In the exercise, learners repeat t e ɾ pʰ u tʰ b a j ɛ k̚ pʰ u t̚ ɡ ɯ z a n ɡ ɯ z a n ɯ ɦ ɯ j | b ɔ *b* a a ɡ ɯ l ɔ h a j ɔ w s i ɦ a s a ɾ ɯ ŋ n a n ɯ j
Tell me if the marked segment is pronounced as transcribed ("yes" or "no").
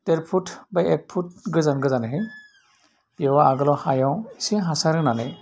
no